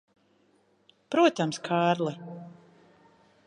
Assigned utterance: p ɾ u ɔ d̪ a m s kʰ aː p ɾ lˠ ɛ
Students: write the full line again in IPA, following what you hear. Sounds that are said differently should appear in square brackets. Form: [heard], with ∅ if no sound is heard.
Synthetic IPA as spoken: p ɾ u ɔ [t̪] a m s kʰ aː [∅] ɾ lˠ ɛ